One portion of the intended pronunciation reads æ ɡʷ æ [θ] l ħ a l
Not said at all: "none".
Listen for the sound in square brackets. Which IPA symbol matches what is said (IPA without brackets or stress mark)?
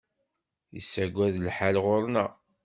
ð